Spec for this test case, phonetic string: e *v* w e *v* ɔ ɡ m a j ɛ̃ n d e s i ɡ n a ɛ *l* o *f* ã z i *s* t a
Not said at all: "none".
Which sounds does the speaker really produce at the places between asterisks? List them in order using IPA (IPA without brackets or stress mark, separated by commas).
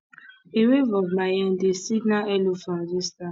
none, v, l, f, s